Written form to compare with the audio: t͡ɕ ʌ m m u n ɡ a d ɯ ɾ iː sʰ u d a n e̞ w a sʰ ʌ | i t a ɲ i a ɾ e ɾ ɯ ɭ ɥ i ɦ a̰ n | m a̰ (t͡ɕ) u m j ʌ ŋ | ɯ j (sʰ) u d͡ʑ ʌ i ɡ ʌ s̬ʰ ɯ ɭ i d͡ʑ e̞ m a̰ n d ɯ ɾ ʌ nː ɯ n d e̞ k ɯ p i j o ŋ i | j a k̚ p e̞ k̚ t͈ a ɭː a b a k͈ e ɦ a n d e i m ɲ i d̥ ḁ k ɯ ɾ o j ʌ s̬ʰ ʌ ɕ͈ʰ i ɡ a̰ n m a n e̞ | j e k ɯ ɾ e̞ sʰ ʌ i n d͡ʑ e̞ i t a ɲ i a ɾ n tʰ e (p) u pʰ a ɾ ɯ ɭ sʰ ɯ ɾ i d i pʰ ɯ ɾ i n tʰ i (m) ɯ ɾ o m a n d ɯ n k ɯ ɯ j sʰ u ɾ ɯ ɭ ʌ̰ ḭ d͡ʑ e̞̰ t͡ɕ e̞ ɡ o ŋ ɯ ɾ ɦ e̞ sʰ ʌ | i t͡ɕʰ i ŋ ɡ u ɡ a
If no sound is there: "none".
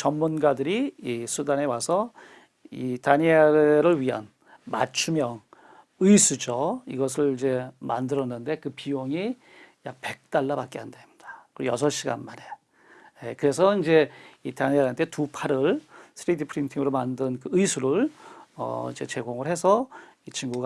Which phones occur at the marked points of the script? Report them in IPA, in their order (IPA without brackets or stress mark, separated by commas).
t͡ɕʰ, sʰ, t, ŋ